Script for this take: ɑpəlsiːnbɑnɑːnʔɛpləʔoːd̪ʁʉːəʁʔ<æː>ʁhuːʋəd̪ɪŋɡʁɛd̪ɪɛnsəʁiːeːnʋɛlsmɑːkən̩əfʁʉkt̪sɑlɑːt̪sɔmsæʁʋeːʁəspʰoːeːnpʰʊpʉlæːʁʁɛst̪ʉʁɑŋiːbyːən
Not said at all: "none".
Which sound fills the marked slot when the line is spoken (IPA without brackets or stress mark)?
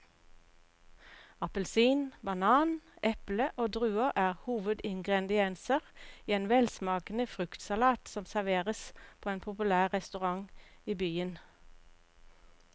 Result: æː